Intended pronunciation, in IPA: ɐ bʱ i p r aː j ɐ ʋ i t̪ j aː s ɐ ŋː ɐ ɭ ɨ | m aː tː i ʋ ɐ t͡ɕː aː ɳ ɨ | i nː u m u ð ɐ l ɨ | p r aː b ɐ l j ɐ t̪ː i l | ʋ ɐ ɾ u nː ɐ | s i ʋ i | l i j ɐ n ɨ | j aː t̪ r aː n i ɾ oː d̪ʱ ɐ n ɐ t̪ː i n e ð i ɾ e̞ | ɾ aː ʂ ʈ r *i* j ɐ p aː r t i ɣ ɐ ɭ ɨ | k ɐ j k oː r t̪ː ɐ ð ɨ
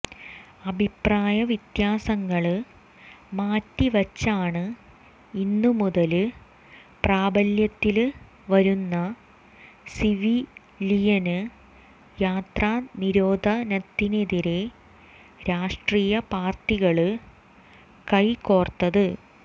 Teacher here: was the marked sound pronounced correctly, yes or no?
no